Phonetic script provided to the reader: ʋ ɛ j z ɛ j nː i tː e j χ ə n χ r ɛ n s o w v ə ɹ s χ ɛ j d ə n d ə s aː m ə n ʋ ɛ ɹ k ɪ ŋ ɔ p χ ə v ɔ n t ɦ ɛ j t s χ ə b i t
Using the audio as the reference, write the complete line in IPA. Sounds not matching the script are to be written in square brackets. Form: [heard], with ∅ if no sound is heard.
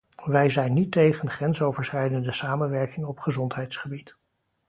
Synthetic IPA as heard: ʋ ɛ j z ɛ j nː i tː e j χ ə n χ r ɛ n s o w v ə ɹ s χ ɛ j d ə n d ə s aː m ə n ʋ ɛ ɹ k ɪ ŋ ɔ p χ ə [z] ɔ n t ɦ ɛ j t s χ ə b i t